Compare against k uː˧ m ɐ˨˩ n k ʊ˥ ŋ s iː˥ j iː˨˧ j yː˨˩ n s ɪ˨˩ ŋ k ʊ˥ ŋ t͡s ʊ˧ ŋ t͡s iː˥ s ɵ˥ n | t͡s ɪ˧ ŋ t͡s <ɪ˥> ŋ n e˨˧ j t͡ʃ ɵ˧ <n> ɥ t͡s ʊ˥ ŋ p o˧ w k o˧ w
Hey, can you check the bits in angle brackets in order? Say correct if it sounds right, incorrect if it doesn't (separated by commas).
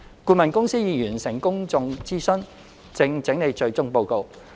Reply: incorrect, incorrect